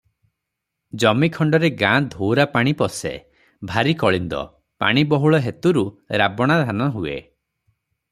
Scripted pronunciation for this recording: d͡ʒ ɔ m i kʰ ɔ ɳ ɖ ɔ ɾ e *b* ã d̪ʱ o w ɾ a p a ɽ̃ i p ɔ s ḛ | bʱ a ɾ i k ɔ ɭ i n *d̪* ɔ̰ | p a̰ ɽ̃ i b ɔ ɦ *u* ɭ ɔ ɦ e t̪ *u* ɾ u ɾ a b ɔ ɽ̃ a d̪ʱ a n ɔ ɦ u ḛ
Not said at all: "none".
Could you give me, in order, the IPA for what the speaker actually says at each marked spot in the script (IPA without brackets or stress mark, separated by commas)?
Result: ɡ, d̪, u, u